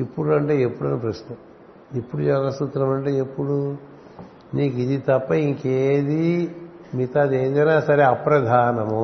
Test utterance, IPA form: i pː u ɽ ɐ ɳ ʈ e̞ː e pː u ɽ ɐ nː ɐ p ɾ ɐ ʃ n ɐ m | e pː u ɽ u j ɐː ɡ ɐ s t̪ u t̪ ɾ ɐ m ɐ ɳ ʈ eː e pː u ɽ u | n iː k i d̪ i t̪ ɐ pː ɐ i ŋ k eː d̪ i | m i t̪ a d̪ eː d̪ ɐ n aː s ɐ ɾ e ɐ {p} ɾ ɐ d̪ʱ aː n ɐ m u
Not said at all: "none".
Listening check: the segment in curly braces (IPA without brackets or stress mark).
p